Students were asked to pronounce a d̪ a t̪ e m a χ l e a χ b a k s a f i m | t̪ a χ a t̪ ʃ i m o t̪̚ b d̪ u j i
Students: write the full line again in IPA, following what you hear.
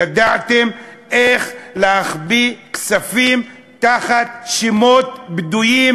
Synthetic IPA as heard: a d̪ a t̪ e m e χ l e a χ b i k s a f i m | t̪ a χ a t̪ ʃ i m o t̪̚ b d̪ u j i